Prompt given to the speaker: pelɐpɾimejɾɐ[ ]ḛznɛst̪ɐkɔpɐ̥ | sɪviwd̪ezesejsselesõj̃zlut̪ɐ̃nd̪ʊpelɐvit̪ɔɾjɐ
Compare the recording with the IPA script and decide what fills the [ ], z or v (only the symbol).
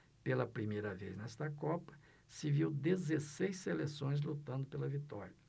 v